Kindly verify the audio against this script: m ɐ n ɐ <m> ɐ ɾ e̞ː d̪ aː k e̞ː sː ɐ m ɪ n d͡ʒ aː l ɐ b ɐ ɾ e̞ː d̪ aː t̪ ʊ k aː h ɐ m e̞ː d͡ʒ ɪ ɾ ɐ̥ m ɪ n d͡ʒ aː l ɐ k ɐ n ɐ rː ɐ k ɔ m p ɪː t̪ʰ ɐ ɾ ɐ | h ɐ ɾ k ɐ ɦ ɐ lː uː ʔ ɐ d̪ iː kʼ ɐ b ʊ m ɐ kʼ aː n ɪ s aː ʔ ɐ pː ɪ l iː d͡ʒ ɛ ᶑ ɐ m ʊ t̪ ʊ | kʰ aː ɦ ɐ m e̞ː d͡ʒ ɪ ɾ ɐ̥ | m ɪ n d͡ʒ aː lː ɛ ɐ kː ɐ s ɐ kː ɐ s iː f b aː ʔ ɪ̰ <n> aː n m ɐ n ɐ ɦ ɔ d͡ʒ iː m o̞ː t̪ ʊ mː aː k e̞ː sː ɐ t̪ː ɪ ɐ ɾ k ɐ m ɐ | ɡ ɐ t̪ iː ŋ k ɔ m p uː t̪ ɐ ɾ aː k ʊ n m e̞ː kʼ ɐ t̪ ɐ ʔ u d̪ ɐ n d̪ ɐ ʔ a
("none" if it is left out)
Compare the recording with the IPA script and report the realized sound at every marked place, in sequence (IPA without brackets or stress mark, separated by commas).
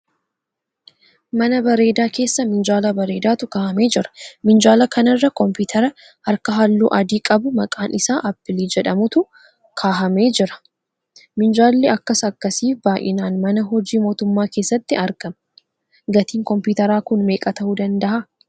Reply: b, n